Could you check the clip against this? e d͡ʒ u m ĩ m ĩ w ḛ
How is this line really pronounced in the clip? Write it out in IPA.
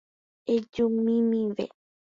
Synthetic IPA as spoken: e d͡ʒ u m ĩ m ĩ ʋ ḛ